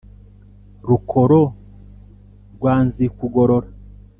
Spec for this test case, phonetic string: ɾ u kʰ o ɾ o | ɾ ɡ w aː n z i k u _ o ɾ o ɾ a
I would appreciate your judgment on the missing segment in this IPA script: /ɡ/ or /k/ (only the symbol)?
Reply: ɡ